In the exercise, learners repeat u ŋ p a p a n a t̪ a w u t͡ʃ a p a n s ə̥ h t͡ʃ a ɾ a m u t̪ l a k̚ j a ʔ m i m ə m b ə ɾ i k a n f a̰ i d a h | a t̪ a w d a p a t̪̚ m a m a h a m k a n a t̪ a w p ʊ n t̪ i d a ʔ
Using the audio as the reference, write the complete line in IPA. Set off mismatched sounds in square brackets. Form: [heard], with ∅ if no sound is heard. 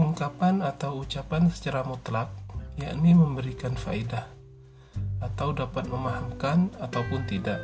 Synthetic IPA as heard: u ŋ [k] a p a n a t̪ a w u t͡ʃ a p a n s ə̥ [∅] t͡ʃ a ɾ a m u t̪ l a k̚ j a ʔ [n] i m ə m b ə ɾ i k a n f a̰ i d a h | a t̪ a w d a p a t̪̚ m [ə] m a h a m k a n a t̪ a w p ʊ n t̪ i d a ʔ